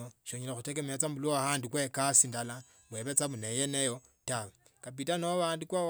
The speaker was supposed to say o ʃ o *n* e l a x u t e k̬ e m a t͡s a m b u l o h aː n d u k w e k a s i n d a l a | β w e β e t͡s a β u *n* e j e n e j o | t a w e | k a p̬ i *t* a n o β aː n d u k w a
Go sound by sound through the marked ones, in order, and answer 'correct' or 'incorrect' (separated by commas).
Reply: incorrect, correct, correct